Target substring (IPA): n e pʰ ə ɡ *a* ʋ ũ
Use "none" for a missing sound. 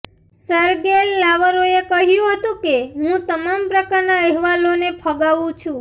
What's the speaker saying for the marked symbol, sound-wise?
a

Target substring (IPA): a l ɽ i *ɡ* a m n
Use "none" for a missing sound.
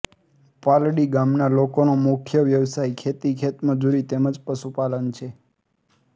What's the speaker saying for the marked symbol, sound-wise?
ɡ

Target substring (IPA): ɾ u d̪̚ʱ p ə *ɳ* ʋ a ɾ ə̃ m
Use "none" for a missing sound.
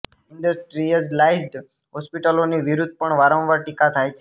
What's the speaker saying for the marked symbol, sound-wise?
ɳ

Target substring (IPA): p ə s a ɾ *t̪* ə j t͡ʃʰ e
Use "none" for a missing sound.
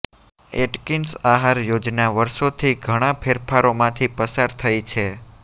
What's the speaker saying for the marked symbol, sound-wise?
t̪ʰ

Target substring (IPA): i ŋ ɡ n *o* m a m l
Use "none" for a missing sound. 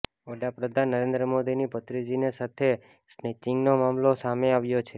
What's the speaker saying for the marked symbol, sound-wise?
o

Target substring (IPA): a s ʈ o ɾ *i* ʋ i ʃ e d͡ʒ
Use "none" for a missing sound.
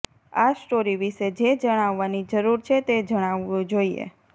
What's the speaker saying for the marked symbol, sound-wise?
i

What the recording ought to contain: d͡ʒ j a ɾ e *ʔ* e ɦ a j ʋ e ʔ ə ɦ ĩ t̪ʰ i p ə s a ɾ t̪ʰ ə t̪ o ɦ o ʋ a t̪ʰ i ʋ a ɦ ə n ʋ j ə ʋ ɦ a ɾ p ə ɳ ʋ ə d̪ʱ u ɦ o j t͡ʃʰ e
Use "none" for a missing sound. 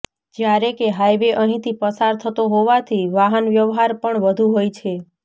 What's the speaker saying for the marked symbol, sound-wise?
k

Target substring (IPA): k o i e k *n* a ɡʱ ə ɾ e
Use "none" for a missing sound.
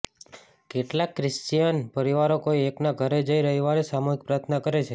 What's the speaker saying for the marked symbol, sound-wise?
n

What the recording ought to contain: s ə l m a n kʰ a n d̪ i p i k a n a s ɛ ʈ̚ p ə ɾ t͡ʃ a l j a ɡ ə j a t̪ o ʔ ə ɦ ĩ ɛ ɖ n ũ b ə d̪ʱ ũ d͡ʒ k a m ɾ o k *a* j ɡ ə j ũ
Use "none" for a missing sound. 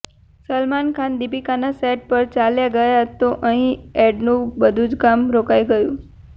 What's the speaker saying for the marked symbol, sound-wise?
a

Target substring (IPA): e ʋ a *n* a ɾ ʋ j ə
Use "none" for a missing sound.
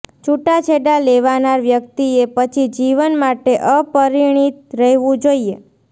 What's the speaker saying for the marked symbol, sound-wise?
n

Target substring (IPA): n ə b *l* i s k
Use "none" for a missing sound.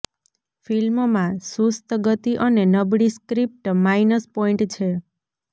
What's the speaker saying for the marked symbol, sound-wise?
ɽ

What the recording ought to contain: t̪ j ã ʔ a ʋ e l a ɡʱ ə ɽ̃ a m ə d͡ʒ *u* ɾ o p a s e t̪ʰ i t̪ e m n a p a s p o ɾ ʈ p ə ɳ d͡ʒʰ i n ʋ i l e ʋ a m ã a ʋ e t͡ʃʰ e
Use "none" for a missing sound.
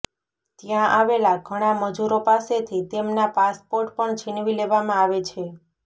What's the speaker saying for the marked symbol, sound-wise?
u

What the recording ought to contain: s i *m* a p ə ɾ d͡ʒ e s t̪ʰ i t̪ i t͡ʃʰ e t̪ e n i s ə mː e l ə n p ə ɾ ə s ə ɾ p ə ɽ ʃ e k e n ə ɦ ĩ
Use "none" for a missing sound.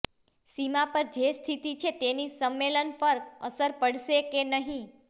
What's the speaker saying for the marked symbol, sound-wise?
m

